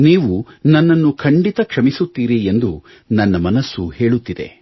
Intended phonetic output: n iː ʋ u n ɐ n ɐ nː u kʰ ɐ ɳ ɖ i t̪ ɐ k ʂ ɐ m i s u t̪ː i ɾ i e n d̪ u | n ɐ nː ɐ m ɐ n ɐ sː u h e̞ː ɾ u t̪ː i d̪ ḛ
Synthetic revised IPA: n iː ʋ u n ɐ nː ɐ nː u kʰ ɐ ɳ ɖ i t̪ ɐ k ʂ ɐ m i s u t̪ː iː ɾ i e n d̪ u | n ɐ nː ɐ m ɐ n ɐ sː u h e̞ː ɭ u t̪ː i d̪ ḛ